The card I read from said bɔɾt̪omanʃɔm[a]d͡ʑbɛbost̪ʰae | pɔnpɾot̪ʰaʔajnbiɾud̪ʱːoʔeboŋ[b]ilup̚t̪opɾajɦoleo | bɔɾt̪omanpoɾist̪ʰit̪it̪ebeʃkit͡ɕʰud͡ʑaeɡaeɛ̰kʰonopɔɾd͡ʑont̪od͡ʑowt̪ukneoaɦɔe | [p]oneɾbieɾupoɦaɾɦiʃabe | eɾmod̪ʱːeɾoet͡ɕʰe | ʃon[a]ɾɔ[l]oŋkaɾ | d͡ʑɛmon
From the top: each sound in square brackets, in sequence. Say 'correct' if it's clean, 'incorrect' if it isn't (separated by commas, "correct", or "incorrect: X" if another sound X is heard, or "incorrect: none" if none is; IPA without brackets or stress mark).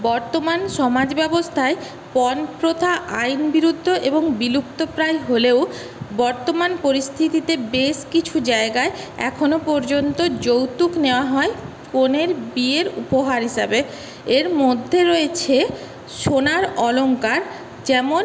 correct, correct, incorrect: k, correct, correct